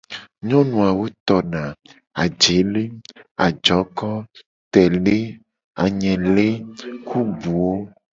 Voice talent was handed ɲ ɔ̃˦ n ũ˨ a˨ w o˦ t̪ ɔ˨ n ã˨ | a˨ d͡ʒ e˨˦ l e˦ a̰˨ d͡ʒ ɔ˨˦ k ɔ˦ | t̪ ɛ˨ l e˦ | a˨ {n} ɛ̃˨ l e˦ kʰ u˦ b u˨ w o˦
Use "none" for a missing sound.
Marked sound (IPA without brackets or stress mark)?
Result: ɲ